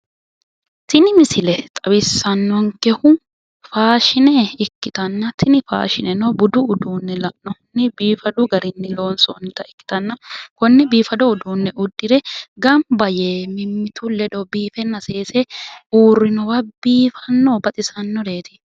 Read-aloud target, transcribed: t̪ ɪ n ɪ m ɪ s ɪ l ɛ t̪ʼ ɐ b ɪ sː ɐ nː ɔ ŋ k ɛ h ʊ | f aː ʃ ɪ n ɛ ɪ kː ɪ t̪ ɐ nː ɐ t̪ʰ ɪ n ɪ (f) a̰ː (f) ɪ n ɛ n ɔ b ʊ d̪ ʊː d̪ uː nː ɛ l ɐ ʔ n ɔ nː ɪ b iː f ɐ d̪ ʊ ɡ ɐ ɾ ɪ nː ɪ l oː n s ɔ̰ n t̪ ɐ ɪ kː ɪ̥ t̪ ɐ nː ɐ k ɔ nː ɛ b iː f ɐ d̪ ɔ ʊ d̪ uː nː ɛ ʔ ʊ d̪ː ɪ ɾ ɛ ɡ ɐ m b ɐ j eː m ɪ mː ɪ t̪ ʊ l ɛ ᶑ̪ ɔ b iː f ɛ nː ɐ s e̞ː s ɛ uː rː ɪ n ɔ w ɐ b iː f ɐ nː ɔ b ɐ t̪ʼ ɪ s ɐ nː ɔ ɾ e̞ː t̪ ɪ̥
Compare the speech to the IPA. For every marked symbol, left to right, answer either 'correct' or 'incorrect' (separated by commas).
correct, incorrect